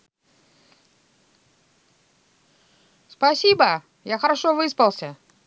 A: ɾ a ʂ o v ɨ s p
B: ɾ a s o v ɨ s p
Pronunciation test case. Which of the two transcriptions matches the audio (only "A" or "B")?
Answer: A